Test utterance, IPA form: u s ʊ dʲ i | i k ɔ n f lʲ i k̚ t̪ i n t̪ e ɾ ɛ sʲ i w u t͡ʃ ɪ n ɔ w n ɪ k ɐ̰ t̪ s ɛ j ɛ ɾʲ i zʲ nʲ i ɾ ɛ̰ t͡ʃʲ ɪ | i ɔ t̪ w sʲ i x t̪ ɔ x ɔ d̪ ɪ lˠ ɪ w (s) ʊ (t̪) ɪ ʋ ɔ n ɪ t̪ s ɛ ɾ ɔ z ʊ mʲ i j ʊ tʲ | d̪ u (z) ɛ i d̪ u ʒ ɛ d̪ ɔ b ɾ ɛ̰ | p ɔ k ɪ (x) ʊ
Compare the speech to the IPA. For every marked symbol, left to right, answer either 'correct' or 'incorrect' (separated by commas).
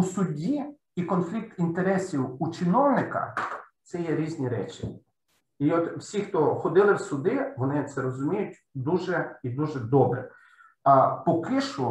correct, incorrect, incorrect, incorrect